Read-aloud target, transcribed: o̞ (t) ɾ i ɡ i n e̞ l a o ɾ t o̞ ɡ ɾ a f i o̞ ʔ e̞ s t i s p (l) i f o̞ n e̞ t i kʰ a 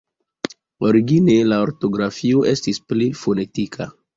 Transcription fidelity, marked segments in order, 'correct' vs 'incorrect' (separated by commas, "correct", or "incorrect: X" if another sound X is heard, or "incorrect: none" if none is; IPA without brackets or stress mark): incorrect: none, correct